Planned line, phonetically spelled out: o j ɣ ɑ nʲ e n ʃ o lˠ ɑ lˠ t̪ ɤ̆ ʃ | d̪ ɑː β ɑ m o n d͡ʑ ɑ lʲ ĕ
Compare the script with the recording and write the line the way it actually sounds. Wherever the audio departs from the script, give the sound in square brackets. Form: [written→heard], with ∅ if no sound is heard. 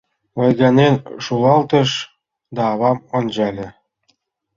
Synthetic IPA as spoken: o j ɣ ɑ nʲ e n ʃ [o→u] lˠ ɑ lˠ t̪ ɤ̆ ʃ | d̪ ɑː β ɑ m o n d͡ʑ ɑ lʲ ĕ